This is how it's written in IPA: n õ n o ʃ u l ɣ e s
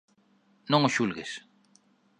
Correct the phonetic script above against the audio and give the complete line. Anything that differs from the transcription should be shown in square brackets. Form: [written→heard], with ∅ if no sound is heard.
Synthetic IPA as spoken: n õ [n→ŋ] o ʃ u l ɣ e s